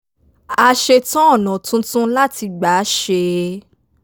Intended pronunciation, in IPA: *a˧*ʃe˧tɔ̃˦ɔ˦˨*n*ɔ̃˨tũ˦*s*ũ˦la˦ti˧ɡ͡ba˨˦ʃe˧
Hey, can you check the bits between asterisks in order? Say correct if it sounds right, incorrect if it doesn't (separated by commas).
correct, correct, incorrect